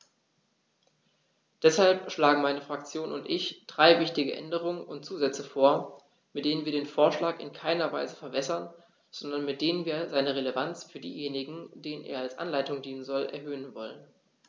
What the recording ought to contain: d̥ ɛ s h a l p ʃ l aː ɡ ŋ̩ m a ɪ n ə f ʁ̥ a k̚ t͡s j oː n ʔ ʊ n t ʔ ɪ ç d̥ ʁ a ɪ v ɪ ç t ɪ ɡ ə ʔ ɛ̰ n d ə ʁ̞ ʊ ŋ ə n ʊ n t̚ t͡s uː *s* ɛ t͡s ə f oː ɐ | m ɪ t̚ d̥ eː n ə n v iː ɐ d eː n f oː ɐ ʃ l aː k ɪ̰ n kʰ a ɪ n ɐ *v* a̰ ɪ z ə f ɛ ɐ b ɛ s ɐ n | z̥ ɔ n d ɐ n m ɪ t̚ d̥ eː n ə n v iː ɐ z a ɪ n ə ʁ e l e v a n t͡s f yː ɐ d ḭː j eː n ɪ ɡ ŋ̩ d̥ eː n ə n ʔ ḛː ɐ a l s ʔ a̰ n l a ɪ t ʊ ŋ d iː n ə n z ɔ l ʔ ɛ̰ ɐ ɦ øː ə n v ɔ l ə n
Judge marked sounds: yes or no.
no, yes

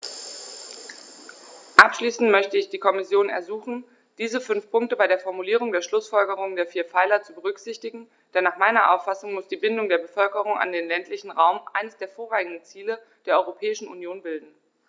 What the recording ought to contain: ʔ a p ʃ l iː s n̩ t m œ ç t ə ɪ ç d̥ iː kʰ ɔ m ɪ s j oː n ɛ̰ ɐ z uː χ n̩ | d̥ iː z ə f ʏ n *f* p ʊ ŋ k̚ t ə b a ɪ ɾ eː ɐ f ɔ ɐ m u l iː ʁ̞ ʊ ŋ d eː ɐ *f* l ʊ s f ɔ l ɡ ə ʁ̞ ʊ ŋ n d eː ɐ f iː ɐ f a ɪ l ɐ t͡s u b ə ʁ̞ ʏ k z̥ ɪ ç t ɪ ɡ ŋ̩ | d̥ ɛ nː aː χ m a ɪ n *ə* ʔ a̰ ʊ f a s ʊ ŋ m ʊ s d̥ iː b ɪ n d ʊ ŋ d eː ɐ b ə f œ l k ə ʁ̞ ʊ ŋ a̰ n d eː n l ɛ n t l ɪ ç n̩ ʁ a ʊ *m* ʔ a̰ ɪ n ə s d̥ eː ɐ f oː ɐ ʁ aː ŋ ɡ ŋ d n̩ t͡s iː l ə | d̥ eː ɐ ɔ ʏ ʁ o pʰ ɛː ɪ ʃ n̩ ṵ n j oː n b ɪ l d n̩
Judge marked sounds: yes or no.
yes, no, no, yes

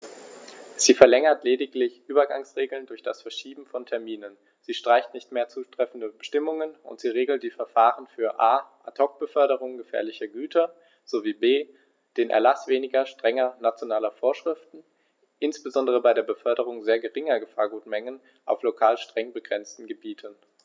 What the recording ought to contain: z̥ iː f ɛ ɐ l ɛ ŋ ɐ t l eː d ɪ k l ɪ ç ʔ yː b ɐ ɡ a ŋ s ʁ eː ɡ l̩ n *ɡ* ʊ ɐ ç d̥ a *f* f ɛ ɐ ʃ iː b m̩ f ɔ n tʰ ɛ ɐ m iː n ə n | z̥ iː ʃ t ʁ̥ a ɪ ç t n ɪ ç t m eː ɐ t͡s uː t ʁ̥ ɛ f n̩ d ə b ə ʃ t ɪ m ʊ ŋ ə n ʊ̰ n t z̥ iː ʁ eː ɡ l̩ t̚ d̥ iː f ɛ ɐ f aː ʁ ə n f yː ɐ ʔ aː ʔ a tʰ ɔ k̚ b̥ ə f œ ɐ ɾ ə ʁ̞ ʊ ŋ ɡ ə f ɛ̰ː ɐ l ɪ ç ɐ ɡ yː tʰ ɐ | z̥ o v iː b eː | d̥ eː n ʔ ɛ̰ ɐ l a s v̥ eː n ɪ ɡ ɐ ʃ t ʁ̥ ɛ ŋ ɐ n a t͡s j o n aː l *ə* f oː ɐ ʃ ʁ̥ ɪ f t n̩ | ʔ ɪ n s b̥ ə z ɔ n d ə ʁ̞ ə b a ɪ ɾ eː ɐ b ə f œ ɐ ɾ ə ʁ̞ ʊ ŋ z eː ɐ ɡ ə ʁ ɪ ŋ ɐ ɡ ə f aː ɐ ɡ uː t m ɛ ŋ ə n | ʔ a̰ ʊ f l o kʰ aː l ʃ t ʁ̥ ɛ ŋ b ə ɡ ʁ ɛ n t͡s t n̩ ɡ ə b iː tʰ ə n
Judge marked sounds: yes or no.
no, no, no

